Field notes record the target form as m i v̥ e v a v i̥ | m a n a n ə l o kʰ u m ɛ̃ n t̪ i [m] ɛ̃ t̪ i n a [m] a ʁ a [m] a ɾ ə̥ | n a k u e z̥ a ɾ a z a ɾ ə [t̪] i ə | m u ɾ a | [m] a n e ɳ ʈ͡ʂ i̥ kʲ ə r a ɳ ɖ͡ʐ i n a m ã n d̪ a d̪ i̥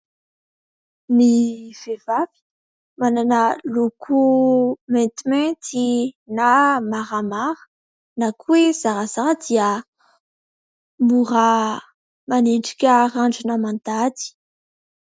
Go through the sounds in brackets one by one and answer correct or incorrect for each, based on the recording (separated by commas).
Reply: correct, correct, correct, incorrect, correct